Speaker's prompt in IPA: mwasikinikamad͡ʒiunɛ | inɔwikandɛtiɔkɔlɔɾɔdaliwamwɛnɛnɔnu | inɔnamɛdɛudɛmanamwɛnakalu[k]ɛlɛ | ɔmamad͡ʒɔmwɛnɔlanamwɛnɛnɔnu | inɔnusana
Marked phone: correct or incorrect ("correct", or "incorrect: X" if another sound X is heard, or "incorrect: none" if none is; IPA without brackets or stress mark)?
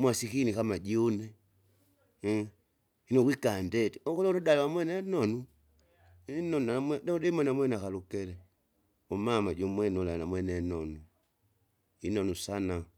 correct